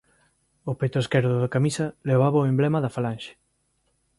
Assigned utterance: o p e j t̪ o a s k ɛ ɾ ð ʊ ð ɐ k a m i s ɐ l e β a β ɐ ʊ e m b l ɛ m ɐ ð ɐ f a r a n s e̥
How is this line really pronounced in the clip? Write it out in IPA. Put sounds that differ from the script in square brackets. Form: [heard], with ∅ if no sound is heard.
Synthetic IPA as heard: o p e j t̪ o [e] s k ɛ ɾ ð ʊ ð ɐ k a m i s ɐ l e β a β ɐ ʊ e m b l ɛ m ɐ ð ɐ f a [l] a n [ʃ] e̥